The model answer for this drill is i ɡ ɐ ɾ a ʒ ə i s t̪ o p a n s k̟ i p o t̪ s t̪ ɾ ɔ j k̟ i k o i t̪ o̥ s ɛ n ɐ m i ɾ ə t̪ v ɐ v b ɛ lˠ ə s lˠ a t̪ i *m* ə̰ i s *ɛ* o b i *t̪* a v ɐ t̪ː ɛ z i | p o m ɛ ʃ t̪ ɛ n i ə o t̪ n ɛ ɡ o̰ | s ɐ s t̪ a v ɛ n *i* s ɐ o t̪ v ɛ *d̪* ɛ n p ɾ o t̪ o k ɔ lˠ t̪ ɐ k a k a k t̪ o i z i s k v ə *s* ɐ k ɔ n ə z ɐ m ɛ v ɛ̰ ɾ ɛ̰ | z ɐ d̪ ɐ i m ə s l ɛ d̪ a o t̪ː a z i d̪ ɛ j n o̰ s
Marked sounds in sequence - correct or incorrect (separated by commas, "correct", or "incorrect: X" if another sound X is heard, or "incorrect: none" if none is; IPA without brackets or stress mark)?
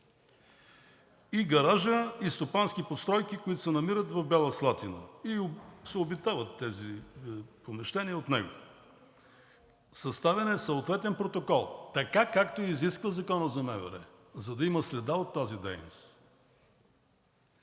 incorrect: n, correct, correct, incorrect: ɛ, incorrect: t̪, incorrect: z